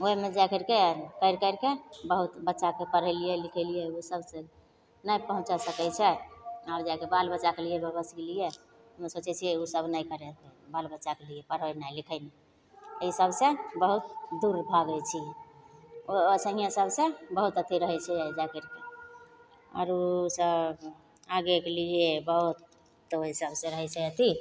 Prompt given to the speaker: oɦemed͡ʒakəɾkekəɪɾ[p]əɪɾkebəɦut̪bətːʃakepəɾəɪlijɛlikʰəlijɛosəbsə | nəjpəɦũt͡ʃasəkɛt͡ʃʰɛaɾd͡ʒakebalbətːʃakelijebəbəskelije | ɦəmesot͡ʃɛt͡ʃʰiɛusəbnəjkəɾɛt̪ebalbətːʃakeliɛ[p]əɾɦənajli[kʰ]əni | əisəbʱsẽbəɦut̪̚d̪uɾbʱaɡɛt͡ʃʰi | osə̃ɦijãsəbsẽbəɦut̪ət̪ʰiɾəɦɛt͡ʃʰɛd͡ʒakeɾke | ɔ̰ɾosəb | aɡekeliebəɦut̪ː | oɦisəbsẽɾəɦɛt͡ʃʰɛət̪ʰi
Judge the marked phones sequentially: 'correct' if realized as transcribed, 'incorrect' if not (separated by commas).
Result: incorrect, correct, correct